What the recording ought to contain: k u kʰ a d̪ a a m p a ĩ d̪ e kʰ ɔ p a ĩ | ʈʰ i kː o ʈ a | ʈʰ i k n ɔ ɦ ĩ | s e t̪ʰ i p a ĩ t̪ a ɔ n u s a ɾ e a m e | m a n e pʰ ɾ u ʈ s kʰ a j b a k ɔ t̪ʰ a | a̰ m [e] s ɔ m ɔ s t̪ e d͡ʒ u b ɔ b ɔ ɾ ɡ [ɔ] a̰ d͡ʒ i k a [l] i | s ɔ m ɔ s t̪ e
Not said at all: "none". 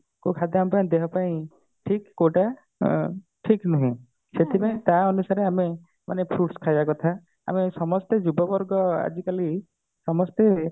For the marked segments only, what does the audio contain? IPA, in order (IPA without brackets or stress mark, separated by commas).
e, ɔ, l